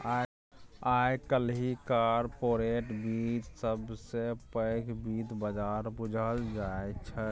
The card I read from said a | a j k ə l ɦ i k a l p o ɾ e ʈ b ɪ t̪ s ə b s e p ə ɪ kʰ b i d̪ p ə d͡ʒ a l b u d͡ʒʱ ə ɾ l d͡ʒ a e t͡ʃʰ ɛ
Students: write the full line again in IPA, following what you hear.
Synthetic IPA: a | a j k ə l ɦ i k a ɾ p o ɾ e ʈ b i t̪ s ə b s e p ə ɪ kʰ b i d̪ b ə d͡ʒ a ɾ b u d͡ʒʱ ə l d͡ʒ a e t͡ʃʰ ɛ